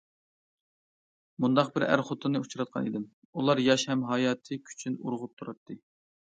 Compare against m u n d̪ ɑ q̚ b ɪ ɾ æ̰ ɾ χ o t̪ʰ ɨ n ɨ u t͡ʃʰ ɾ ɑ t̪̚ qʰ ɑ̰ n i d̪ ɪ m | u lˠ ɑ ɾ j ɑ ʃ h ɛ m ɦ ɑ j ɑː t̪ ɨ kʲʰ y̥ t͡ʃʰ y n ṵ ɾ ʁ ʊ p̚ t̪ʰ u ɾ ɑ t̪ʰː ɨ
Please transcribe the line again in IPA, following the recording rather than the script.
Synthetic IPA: m u n d̪ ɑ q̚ b ɪ ɾ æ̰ ɾ χ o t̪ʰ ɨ n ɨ u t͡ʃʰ ɾ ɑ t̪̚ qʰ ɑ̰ n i d̪ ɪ m | u lˠ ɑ ɾ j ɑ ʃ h ɛ m ɦ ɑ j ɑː t̪ʰ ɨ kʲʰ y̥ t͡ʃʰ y n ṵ ɾ ʁ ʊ p̚ t̪ʰ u ɾ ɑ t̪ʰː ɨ